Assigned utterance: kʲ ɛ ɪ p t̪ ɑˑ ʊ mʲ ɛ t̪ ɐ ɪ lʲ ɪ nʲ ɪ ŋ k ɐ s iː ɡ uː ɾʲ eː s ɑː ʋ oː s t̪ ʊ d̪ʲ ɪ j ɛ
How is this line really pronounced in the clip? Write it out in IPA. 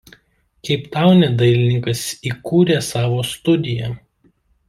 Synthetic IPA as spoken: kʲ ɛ ɪ p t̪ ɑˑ ʊ nʲ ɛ d̪ ɐ ɪ lʲ ɪ nʲ ɪ ŋ k ɐ s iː k uː ɾʲ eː s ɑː ʋ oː s t̪ ʊ d̪ʲ ɪ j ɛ

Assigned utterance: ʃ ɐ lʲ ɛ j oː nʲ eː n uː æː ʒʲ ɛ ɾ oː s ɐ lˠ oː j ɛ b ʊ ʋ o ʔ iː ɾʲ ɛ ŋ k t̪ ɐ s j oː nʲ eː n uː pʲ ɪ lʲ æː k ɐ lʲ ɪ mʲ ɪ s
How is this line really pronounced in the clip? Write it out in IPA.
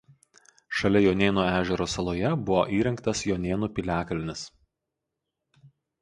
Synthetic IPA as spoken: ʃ ɐ lʲ ɛ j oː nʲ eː n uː æː ʒʲ ɛ ɾ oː s ɐ lˠ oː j ɛ b ʊ ʋ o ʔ iː ɾʲ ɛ ŋ k t̪ ɐ s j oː nʲ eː n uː pʲ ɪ lʲ æː k ɐ lʲ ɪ nʲ ɪ s

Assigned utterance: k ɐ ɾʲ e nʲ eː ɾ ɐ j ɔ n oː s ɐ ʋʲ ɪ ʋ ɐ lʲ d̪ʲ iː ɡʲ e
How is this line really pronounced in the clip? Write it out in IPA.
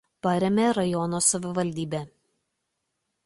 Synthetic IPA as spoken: p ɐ ɾʲ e mʲ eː ɾ ɐ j ɔ n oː s ɐ ʋʲ ɪ ʋ ɐ lʲ d̪ʲ iː bʲ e

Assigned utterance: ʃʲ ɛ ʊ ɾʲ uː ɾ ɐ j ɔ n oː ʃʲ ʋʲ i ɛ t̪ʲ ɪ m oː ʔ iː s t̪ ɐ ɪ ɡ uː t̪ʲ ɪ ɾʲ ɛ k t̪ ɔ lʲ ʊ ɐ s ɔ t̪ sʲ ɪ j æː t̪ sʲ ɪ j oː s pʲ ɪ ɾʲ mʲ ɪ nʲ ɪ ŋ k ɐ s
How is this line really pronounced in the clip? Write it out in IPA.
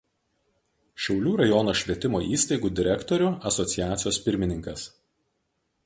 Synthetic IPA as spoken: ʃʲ ɛ ʊ lʲ uː ɾ ɐ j ɔ n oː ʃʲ ʋʲ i ɛ t̪ʲ ɪ m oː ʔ iː s t̪ ɐ ɪ ɡ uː d̪ʲ ɪ ɾʲ ɛ k t̪ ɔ ɾʲ ʊ ɐ s ɔ t̪ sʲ ɪ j æː t̪ sʲ ɪ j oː s pʲ ɪ ɾʲ mʲ ɪ nʲ ɪ ŋ k ɐ s

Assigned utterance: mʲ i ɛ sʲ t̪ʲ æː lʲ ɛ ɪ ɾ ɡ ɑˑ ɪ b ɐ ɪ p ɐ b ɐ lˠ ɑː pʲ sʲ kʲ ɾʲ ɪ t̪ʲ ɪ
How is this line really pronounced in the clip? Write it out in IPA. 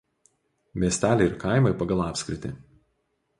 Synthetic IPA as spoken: mʲ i ɛ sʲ t̪ʲ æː lʲ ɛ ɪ ɾ k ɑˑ ɪ m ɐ ɪ p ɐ ɡ ɐ lˠ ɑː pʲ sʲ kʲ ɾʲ ɪ t̪ʲ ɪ

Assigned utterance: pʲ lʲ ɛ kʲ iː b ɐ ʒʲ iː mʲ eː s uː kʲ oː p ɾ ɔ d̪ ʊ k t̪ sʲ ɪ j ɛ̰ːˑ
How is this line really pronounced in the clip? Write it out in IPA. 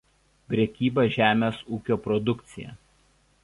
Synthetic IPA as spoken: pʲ ɾʲ ɛ kʲ iː b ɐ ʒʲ æː mʲ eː s uː kʲ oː p ɾ ɔ d̪ ʊ k t̪ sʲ ɪ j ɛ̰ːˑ

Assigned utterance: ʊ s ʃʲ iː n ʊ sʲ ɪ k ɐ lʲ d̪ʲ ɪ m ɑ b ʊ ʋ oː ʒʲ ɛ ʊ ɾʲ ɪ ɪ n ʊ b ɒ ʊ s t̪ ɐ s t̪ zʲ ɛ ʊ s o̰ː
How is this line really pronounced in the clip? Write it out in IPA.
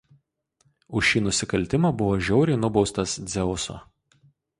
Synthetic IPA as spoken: ʊ ʃ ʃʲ iː n ʊ sʲ ɪ k ɐ lʲ t̪ʲ ɪ m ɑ b ʊ ʋ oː ʒʲ ɛ ʊ ɾʲ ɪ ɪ n ʊ b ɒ ʊ s t̪ ɐ s d̪ zʲ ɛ ʊ s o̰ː

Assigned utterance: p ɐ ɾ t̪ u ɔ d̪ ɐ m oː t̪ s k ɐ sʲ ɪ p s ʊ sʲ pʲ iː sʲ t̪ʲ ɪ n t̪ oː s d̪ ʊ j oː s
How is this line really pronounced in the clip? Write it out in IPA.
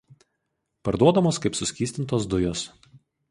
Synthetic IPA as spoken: p ɐ ɾ d̪ u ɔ d̪ ɐ m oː s k ɐ ɪ p s ʊ sʲ kʲ iː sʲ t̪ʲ ɪ n t̪ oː s d̪ ʊ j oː s

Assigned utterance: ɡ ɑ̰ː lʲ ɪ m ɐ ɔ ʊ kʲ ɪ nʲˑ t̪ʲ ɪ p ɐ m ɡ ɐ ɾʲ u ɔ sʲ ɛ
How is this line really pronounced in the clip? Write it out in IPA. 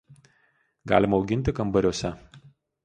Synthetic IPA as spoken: ɡ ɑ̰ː lʲ ɪ m ɐ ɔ ʊ ɡʲ ɪ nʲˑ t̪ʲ ɪ k ɐ m b ɐ ɾʲ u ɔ sʲ ɛ

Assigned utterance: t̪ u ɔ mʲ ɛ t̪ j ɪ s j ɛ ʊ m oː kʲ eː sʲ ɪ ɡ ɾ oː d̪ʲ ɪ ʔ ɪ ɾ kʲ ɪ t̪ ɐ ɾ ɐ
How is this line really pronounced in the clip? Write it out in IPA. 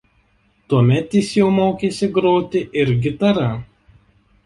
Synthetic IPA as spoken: t̪ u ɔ mʲ ɛ t̪ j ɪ s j ɛ ʊ m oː kʲ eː sʲ ɪ ɡ ɾ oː t̪ʲ ɪ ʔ ɪ ɾ ɡʲ ɪ t̪ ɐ ɾ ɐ

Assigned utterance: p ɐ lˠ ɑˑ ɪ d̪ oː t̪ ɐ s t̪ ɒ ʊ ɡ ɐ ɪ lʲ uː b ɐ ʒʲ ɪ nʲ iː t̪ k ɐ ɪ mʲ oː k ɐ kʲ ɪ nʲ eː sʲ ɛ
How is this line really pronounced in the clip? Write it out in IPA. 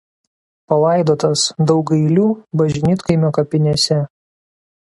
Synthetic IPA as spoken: p ɐ lˠ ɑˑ ɪ d̪ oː t̪ ɐ s d̪ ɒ ʊ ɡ ɐ ɪ lʲ uː b ɐ ʒʲ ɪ nʲ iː t̪ k ɐ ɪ mʲ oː k ɐ pʲ ɪ nʲ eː sʲ ɛ

